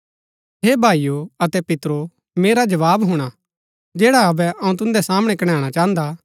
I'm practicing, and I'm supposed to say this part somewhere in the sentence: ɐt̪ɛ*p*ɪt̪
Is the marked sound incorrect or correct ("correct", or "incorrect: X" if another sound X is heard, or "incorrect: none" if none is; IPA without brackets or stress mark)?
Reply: correct